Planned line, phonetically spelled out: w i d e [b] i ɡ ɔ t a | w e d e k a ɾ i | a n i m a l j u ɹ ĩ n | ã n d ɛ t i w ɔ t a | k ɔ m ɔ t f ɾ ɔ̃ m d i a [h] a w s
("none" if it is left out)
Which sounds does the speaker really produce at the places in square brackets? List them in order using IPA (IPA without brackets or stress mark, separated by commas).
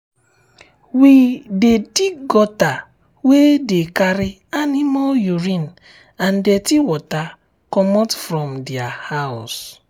d, h